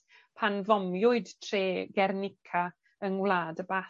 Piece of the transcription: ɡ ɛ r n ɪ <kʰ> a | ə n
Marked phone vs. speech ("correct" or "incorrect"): correct